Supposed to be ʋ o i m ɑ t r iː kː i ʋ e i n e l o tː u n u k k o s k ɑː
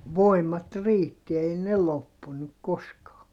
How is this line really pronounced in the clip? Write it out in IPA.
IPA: ʋ o i m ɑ t r iː tː i e i n e l o pː u n u k k o s k ɑː